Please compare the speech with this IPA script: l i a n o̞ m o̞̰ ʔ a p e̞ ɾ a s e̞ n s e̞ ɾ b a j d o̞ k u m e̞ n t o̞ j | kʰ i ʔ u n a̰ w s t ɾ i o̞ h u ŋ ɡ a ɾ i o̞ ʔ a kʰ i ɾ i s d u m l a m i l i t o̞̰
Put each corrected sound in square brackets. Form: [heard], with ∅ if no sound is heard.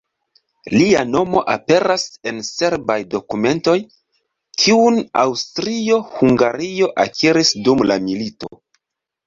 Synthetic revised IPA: l i a n o̞ m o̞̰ ʔ a p e̞ ɾ a s e̞ n s e̞ ɾ b a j d o̞ k u m e̞ n t o̞ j | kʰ i [∅] u n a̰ w s t ɾ i o̞ h u ŋ ɡ a ɾ i o̞ ʔ a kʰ i ɾ i s d u m l a m i l i t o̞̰